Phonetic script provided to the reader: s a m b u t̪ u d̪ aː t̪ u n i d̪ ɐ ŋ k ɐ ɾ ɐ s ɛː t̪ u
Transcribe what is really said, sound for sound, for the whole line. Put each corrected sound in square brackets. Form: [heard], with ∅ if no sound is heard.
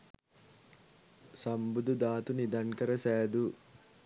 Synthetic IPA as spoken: s [ɐ] m b u [d̪] u d̪ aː t̪ u n i d̪ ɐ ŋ k ɐ ɾ ɐ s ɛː [d̪] u